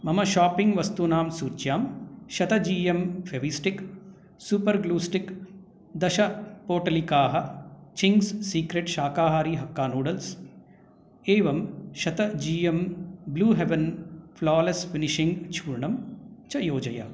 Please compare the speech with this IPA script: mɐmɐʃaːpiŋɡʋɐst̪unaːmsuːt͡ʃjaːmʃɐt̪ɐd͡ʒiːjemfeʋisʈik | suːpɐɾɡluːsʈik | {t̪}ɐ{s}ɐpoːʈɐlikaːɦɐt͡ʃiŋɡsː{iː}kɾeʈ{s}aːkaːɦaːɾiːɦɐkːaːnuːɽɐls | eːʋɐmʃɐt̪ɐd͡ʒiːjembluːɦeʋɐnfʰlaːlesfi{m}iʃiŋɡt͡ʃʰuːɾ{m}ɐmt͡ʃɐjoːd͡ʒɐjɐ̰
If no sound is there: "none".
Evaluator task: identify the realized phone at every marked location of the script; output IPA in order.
d̪, ʃ, iː, ʃ, n, ɳ

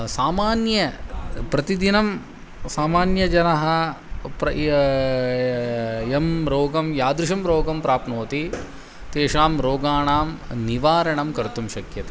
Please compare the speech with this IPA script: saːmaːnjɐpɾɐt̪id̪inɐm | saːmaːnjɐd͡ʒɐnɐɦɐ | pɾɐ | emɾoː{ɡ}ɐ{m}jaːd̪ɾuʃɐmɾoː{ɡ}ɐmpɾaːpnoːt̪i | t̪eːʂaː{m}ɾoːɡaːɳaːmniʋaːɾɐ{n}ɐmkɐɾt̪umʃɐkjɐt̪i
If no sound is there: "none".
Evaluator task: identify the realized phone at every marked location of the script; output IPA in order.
ɡ, m, ɡ, m, ɳ

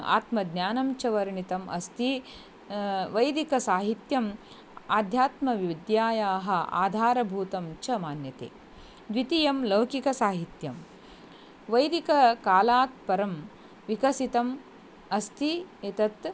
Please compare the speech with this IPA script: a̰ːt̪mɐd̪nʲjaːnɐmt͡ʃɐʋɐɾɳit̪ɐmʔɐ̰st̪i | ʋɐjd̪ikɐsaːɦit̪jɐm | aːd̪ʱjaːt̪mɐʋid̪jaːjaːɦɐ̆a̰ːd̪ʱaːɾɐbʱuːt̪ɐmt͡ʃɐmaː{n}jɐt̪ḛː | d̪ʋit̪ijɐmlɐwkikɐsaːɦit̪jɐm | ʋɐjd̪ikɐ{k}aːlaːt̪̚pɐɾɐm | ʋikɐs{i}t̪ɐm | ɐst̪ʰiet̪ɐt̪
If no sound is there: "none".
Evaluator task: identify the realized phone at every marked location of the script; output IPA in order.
n, k, i

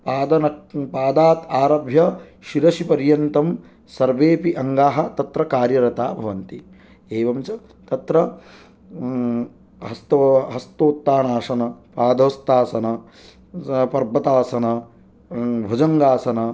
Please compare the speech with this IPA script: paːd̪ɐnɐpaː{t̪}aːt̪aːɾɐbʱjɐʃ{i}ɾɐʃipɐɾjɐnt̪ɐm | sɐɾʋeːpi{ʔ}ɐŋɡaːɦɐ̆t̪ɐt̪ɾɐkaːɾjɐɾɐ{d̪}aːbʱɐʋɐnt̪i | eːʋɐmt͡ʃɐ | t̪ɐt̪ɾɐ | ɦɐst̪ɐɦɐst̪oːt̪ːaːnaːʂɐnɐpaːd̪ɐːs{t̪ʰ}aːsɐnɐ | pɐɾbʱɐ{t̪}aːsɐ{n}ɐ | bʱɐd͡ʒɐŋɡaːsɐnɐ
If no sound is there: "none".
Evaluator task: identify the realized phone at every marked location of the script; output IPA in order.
d̪, i, ʔ, t̪, t̪, t̪, n

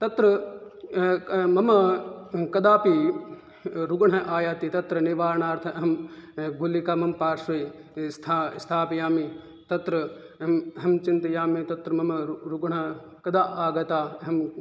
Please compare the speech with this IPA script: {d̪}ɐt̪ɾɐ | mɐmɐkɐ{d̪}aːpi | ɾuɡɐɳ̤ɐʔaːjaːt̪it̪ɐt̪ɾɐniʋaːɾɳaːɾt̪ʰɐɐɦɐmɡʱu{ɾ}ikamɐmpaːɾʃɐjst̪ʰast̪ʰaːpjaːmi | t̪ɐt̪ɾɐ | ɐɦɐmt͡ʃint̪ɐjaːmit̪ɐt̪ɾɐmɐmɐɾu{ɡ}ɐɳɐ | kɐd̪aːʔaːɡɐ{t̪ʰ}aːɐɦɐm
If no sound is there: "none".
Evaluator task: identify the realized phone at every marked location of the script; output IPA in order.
t̪, d̪, l, ɡ, t̪

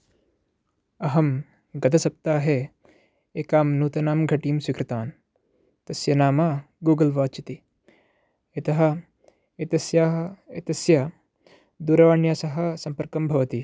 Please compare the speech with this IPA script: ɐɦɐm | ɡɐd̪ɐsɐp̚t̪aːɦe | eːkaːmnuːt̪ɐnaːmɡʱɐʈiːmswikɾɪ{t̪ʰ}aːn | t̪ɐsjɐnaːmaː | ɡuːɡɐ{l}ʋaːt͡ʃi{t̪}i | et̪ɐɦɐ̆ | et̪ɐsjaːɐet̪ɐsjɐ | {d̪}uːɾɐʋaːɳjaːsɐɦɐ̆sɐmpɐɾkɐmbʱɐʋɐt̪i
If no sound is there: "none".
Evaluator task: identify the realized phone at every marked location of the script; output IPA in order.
t̪, l, t̪, d̪

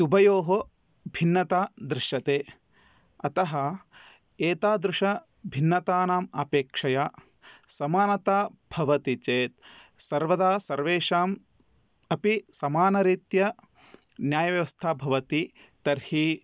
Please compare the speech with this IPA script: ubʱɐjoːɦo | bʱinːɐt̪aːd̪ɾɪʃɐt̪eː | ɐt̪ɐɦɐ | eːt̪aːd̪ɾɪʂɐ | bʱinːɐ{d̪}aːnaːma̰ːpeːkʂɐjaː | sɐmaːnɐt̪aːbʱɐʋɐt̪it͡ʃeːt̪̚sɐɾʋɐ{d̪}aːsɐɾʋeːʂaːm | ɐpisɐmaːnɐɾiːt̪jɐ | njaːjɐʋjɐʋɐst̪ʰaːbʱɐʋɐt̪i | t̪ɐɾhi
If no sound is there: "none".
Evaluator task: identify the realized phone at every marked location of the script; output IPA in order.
t̪, d̪

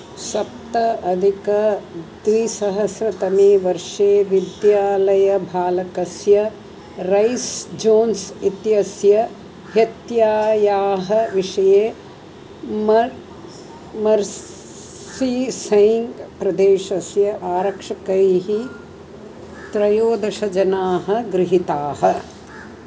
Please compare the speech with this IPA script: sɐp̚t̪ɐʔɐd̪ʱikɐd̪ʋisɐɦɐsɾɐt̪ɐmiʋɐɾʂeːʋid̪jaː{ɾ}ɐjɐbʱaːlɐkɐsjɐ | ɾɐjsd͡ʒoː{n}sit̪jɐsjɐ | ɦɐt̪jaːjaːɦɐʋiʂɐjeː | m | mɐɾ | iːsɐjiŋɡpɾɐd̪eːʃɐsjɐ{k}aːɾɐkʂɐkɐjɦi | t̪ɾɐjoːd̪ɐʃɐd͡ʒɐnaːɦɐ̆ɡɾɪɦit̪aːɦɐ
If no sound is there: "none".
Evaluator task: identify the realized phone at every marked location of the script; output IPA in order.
l, n, ʔ

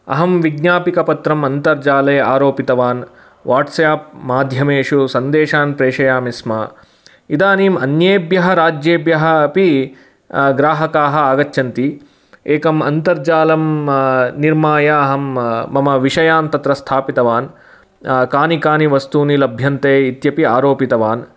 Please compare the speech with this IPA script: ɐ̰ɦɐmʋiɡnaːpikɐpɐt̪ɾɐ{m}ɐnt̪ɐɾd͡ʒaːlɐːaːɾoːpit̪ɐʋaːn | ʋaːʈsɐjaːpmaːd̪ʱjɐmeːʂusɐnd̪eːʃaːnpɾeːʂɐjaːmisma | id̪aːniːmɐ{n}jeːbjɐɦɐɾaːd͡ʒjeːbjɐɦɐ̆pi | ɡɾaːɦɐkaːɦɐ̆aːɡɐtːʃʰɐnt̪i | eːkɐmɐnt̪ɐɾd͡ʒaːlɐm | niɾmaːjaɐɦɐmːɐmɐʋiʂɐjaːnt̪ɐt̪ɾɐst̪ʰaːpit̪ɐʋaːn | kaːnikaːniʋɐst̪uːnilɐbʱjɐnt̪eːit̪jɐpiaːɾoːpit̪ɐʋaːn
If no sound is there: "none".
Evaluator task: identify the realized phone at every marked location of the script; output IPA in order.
m, n

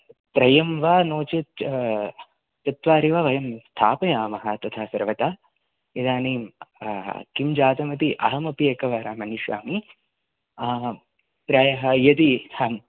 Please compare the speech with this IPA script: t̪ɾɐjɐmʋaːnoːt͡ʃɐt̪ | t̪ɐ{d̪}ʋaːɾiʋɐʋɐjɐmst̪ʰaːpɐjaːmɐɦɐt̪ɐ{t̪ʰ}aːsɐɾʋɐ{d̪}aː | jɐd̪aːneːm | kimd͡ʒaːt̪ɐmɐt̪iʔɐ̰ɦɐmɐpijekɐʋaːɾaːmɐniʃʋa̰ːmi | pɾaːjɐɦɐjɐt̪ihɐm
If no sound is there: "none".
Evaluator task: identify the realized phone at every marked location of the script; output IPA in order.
t̪, t̪ʰ, t̪

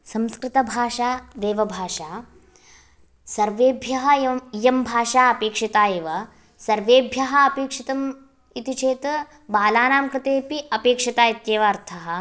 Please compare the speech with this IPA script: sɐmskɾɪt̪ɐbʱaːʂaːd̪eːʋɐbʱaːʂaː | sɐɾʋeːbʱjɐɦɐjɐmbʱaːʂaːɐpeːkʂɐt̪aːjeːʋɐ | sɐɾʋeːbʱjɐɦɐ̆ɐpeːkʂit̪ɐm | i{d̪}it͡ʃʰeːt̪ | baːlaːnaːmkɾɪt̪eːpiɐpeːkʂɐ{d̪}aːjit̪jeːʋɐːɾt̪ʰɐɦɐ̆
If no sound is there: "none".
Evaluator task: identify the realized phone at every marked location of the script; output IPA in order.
t̪, t̪

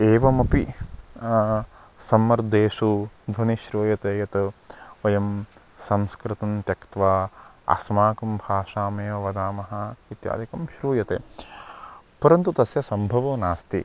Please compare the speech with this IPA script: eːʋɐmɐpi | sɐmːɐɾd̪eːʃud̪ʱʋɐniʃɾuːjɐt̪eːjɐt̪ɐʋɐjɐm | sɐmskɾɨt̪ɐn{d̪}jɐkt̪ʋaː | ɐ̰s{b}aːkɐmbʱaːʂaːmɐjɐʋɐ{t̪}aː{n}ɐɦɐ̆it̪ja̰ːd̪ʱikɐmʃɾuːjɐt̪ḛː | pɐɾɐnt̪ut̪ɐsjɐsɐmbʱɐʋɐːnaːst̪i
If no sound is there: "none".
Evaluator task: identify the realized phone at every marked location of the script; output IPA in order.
t̪, m, d̪, m

